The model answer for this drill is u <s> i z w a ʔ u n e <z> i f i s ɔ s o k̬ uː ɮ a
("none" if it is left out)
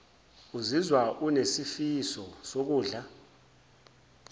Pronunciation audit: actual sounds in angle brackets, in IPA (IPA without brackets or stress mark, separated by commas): z, s